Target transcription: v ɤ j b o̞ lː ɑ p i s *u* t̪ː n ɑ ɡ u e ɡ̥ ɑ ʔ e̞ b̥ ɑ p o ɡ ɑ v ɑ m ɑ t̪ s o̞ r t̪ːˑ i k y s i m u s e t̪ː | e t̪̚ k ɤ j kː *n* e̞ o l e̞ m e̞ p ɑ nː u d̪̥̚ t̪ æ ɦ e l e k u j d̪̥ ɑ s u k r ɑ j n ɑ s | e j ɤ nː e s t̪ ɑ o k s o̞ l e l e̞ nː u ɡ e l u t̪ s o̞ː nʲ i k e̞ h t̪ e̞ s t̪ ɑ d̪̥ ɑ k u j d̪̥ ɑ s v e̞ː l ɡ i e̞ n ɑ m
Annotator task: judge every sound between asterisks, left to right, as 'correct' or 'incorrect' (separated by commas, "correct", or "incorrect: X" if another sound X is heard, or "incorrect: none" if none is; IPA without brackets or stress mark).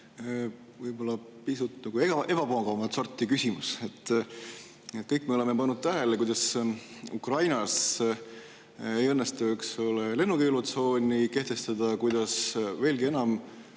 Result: correct, incorrect: m